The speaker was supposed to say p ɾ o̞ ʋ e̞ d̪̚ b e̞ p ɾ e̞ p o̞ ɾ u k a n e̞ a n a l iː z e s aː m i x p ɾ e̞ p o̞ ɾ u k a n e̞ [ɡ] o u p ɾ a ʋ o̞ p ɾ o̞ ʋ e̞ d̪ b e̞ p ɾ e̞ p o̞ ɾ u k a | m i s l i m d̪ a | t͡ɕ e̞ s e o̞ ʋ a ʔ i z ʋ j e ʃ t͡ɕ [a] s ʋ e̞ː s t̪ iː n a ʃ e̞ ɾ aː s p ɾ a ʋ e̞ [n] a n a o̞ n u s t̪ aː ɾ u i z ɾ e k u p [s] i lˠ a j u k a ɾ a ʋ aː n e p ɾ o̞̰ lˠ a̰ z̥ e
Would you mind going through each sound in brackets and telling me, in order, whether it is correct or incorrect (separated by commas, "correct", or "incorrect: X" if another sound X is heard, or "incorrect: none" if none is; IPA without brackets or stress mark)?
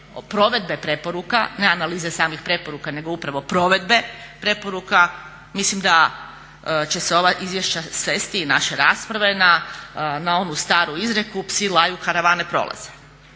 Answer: correct, correct, correct, correct